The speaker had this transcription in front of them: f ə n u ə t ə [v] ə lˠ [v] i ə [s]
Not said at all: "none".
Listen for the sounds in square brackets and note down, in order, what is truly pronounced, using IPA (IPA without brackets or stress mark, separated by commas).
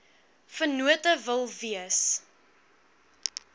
v, v, s